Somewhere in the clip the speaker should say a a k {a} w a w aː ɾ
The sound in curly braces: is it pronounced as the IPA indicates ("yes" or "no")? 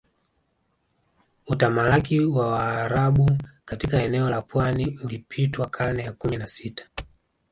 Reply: no